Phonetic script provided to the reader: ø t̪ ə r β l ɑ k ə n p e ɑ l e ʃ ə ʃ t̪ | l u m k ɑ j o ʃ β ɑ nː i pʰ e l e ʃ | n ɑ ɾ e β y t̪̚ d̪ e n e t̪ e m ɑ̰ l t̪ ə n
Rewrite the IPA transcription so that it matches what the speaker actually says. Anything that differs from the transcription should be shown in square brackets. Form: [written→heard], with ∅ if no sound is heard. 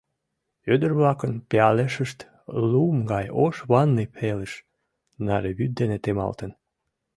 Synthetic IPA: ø [t̪→d̪] ə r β l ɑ k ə n p e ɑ l e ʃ ə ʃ t̪ | l u m [k→ɡ] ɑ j o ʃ β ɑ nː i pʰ e l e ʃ | n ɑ ɾ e β y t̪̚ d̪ e n e t̪ e m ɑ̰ l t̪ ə n